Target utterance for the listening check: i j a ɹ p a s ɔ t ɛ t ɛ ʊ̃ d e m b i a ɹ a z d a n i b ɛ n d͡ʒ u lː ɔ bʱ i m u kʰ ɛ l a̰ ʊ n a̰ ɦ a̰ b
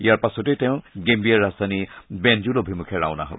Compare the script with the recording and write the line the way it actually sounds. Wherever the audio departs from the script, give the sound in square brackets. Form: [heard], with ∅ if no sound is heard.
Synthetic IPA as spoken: i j a ɹ p a s ɔ t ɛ t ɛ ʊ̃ [ɡ] e m b i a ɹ a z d a n i b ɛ n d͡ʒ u [l] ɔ bʱ i m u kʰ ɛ [ɹ] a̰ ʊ n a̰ ɦ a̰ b